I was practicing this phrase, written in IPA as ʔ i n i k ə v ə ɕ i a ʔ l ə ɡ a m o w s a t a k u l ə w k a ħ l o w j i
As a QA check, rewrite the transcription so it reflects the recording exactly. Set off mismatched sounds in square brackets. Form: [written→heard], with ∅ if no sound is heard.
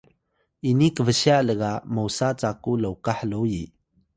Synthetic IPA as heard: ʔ i n i k ə v ə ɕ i a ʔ l ə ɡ a m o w s a [t→t͡s] a k u l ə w k a ħ l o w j i